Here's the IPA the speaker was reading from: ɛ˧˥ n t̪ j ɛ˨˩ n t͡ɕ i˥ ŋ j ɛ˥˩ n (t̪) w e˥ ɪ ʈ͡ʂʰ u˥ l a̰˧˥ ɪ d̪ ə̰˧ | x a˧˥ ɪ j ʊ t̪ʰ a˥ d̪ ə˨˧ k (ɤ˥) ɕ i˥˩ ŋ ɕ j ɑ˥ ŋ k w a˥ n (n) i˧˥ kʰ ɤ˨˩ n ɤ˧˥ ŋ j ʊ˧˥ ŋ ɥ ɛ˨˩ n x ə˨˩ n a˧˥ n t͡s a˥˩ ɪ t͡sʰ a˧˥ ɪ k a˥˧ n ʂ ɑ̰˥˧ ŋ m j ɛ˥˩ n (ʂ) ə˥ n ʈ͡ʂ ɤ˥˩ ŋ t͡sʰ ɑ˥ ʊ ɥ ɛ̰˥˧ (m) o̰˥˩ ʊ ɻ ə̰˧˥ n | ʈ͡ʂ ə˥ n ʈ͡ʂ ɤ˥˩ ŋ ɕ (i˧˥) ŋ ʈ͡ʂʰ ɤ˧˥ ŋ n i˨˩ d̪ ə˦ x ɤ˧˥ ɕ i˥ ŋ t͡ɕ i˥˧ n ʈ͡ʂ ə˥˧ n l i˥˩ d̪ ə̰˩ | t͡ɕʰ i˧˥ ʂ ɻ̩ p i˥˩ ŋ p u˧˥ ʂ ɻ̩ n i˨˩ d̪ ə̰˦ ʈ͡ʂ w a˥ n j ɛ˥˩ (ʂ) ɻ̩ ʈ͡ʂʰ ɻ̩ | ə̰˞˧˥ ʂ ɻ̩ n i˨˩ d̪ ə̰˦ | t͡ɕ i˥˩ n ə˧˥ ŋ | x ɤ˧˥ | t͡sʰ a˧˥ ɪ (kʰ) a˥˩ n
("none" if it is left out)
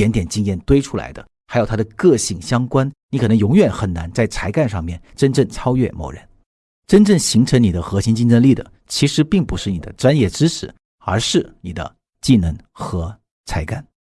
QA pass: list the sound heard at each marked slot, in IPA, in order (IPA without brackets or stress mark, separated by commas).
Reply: t̪, ɤ˥˧, n, ʈ͡ʂ, m, i˧˥, ʈ͡ʂ, k